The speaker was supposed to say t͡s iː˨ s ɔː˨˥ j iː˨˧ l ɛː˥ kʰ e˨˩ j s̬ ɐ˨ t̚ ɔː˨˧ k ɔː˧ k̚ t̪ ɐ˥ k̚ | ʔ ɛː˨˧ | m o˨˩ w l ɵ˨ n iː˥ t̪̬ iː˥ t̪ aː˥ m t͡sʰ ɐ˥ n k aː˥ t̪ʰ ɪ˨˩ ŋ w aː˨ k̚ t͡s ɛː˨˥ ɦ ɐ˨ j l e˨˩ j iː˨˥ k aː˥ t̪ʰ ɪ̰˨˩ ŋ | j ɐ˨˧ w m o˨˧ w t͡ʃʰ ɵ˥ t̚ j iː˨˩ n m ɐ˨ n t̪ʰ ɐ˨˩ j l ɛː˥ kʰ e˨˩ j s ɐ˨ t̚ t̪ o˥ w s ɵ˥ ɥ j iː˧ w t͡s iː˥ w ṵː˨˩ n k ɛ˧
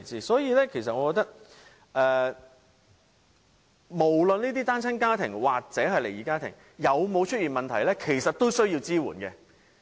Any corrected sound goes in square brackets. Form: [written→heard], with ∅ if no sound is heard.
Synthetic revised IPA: t͡s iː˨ s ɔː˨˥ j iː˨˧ l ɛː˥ kʰ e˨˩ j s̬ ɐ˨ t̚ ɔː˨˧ k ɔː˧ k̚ t̪ ɐ˥ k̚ | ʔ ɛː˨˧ | m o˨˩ w l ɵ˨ n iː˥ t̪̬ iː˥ t̪ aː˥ [m→n] t͡sʰ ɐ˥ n k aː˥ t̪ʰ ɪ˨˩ ŋ w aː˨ k̚ t͡s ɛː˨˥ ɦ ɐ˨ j l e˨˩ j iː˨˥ k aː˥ t̪ʰ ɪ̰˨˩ ŋ | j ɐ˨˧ w m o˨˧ w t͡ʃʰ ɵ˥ t̚ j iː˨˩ n m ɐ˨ n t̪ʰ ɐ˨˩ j l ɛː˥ kʰ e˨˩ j s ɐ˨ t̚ t̪ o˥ w s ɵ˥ ɥ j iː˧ w t͡s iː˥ w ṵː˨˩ n k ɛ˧